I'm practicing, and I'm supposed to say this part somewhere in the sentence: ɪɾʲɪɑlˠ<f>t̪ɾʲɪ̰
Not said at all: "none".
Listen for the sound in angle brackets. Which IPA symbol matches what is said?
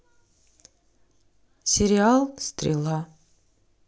s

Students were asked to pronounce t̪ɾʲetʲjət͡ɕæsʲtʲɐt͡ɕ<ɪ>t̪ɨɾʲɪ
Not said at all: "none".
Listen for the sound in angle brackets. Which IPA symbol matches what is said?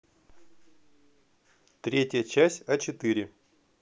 ɪ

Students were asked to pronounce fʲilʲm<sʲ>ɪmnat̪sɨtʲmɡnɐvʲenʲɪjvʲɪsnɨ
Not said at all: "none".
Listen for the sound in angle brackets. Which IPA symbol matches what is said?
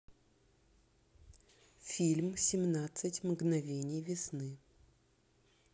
sʲ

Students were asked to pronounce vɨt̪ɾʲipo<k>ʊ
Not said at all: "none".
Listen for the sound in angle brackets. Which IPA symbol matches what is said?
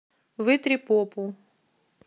p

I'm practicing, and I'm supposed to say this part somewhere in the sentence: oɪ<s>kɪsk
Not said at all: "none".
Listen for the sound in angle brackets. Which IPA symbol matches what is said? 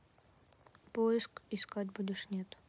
s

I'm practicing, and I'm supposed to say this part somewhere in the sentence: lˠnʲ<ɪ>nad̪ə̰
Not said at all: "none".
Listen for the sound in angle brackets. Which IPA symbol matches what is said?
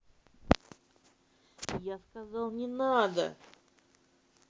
ɪ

